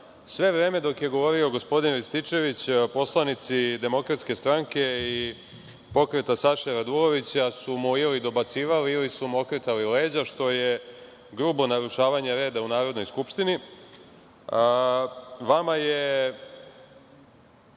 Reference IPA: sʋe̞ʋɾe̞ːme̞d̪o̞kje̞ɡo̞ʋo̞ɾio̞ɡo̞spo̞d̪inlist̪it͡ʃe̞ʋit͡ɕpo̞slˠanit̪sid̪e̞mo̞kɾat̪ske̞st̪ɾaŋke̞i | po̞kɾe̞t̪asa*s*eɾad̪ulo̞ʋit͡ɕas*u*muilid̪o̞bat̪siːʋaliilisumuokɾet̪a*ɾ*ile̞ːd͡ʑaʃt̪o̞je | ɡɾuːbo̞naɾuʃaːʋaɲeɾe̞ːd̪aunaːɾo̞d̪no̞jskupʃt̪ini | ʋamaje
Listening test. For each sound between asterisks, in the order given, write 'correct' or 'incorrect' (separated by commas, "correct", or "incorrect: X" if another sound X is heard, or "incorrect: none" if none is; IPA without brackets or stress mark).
incorrect: ʃ, correct, incorrect: l